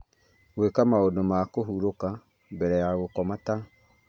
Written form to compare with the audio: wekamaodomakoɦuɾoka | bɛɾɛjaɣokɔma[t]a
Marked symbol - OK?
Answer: yes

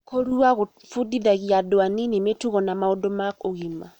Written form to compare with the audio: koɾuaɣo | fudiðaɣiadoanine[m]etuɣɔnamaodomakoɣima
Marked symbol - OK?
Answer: yes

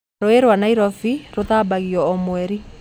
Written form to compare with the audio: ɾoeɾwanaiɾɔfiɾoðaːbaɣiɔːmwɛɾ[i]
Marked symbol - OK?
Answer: yes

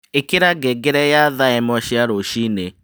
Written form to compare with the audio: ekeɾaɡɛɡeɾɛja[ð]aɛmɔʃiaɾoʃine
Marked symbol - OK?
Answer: yes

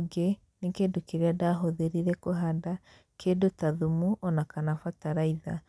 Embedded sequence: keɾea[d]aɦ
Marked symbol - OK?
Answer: yes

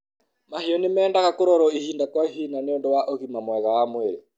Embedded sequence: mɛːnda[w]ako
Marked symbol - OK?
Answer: no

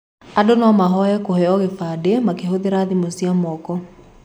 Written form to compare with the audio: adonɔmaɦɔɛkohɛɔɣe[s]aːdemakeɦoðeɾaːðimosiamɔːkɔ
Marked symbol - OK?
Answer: no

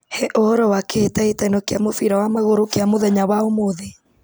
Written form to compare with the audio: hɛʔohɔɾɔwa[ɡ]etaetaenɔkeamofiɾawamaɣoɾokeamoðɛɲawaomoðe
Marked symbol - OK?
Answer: no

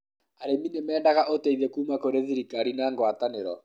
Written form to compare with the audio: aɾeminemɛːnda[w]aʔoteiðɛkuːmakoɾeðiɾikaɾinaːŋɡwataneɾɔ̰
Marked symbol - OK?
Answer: no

